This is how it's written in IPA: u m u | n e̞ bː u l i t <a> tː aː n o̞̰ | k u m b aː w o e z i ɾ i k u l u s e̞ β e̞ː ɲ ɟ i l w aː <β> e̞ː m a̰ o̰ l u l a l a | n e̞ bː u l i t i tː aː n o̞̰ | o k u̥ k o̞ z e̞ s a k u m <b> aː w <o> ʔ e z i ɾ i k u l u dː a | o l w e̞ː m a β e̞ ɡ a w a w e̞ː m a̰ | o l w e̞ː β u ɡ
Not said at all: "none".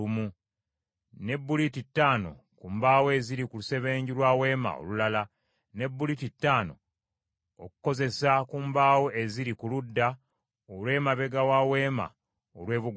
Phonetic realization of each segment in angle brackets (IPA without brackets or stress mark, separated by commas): i, w, b, o